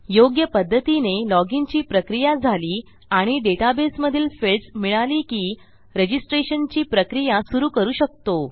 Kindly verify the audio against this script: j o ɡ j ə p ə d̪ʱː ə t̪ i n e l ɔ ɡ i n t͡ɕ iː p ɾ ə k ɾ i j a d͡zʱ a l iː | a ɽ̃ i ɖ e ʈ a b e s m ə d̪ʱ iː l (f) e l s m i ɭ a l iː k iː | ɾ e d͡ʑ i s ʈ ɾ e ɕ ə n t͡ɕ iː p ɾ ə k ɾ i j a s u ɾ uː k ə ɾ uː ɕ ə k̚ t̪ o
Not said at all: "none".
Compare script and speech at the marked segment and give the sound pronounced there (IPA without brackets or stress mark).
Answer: f